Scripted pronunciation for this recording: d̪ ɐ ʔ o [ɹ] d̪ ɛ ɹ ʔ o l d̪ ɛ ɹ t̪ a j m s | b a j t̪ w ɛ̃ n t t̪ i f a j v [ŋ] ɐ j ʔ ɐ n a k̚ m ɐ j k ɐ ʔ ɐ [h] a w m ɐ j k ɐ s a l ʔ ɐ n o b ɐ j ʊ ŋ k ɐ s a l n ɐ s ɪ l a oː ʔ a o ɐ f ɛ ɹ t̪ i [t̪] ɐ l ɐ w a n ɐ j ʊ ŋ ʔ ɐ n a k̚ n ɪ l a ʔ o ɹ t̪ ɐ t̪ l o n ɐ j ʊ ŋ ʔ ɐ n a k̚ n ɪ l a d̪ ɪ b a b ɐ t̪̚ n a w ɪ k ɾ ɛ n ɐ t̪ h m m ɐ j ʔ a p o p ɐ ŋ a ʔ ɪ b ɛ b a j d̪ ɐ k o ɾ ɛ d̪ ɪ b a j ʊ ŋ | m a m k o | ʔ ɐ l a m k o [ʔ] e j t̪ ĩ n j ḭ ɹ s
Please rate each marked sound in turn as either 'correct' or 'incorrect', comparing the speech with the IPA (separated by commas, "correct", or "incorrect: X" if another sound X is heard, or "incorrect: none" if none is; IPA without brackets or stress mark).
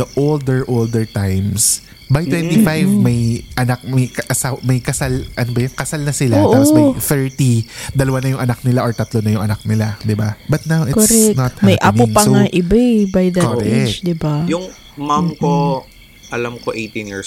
incorrect: l, incorrect: m, incorrect: s, incorrect: d̪, correct